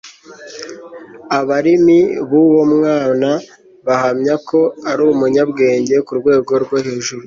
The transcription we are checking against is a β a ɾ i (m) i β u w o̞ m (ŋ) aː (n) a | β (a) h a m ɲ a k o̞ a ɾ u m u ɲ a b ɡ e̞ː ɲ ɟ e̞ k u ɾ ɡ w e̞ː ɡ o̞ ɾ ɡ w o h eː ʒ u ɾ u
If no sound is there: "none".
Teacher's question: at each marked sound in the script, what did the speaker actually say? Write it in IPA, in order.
m, ŋ, n, a

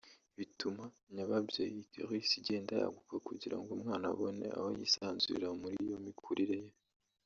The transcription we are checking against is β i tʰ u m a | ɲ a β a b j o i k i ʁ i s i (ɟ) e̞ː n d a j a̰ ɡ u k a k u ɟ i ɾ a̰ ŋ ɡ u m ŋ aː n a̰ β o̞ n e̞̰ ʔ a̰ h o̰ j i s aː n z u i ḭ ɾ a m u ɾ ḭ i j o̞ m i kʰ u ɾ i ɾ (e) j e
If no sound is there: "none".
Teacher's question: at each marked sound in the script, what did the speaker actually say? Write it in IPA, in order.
ɟ, e

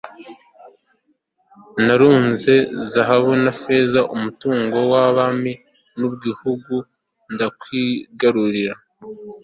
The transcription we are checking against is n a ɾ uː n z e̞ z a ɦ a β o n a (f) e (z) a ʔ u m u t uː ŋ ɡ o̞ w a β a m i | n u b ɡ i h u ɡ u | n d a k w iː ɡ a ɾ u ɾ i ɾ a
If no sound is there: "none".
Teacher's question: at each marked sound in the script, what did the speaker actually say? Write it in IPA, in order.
f, z

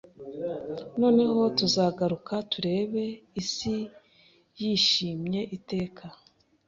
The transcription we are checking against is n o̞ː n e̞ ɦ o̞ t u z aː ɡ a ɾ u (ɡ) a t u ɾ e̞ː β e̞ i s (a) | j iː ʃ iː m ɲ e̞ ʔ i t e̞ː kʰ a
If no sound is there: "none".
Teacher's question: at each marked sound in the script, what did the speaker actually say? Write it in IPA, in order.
k, i

